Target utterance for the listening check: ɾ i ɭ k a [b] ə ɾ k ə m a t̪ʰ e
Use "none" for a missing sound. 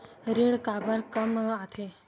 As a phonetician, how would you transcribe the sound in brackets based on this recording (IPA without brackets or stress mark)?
b